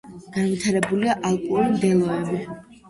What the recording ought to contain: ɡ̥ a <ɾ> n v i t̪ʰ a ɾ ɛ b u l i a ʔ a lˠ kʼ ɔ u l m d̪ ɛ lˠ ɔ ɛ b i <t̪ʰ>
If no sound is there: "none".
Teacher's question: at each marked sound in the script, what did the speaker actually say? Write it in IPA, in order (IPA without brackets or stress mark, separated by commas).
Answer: none, none